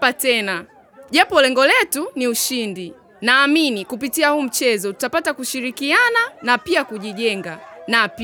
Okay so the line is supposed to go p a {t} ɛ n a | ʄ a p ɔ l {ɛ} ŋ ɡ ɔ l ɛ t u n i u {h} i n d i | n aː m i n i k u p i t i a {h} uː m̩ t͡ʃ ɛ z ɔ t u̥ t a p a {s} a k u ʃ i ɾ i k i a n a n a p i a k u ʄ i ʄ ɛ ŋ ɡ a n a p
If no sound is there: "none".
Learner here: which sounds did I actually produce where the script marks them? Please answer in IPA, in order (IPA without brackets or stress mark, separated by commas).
t, ɛ, ʃ, h, t